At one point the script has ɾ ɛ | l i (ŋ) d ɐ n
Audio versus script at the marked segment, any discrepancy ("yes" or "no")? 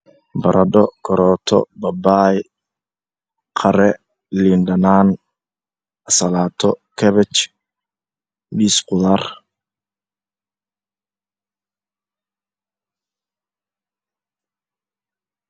yes